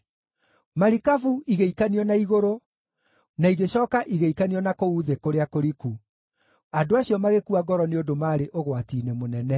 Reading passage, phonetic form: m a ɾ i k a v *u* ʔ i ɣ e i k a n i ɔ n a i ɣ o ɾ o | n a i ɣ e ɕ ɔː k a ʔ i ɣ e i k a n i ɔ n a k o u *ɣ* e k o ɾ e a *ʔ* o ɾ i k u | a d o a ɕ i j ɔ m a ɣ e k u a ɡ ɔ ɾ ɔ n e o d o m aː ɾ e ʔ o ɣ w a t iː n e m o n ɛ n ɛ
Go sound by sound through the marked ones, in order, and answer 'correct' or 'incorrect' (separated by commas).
correct, incorrect, incorrect